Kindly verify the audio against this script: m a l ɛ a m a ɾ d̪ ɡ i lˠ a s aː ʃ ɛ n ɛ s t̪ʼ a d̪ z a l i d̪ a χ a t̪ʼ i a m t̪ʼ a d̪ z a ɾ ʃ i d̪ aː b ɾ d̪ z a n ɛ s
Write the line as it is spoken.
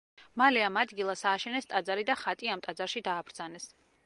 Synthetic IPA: m a l ɛ a m a d̪ ɡ i lˠ a s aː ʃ ɛ n ɛ s t̪ʼ a d̪ z a ɾ i d̪ a χ a t̪ʼ i a m t̪ʼ a d̪ z a ɾ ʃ i d̪ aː b ɾ d̪ z a n ɛ s